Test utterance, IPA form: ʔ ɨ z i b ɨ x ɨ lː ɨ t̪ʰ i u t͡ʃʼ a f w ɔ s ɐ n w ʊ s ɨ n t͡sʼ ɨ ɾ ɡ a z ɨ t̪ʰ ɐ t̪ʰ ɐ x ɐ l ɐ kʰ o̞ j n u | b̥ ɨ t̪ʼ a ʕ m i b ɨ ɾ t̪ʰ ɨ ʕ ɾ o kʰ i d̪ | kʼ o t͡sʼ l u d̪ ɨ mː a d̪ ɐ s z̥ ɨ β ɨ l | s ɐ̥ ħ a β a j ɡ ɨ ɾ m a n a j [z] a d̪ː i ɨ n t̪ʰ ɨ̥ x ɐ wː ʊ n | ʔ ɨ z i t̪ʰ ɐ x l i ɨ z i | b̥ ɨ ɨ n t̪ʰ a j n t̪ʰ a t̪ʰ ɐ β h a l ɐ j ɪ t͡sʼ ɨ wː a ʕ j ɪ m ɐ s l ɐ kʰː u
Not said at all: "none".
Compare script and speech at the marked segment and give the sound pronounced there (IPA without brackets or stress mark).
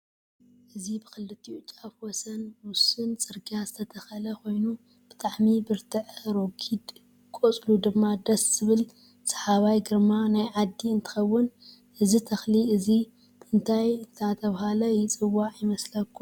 ʕ